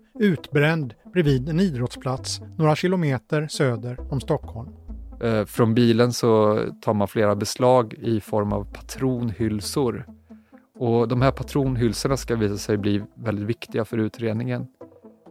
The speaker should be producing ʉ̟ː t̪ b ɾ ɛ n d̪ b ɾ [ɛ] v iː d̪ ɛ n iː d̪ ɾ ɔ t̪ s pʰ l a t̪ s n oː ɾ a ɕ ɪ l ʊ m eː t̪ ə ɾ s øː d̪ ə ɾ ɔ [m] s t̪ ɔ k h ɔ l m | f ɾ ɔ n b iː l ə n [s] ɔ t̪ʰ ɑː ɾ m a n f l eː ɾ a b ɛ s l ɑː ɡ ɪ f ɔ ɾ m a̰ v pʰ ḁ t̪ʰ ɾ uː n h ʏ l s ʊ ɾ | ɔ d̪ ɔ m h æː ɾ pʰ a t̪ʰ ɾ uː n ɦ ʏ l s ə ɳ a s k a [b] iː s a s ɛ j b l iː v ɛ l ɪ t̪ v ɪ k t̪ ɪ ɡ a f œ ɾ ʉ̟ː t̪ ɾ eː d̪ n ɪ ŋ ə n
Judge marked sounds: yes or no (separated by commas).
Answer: yes, yes, yes, no